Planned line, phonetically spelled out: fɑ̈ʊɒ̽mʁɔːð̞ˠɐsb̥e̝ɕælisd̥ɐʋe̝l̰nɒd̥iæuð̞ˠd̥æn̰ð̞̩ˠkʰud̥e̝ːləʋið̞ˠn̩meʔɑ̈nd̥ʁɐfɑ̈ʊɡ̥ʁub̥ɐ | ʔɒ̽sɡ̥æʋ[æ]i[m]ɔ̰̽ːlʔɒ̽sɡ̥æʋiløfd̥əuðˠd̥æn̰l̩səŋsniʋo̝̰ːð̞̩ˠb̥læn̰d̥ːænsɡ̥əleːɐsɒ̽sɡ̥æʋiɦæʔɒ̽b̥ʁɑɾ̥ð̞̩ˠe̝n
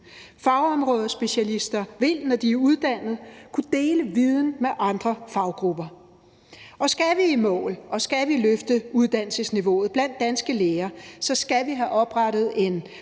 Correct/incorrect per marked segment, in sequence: incorrect: i, correct

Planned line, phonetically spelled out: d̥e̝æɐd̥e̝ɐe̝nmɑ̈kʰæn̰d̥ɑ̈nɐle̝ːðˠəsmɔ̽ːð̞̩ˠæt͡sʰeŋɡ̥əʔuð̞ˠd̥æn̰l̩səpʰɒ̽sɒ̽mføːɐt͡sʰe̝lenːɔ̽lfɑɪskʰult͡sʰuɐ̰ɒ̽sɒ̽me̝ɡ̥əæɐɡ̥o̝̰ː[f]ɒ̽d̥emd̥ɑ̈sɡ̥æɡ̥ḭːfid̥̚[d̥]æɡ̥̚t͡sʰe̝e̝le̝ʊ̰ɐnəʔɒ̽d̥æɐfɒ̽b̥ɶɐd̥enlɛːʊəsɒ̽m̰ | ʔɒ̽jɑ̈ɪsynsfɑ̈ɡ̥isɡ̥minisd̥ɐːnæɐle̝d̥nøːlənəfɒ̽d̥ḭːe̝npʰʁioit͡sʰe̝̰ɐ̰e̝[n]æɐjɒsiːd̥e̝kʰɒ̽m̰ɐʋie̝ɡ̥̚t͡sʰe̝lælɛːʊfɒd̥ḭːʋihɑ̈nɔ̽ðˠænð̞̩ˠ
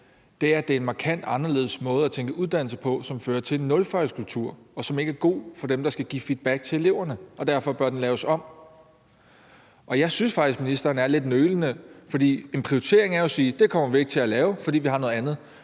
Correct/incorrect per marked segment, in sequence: correct, incorrect: b̥, incorrect: ŋ

